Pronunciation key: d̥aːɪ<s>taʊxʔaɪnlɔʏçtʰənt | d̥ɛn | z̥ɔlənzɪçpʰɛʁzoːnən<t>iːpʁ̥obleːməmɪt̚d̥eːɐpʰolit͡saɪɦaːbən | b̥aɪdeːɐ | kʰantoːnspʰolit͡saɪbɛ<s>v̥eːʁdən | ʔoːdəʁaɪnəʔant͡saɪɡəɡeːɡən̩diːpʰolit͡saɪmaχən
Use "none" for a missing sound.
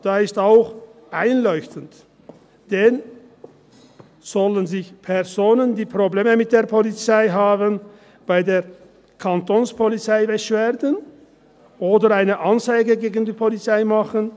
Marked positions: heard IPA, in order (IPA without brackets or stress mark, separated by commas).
s, d, ʃ